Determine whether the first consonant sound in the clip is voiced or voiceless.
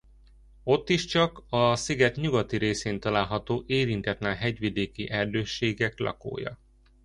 voiceless